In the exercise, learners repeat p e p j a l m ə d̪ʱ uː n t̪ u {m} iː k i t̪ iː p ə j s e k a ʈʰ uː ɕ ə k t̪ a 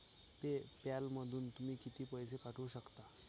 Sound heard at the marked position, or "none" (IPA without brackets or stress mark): m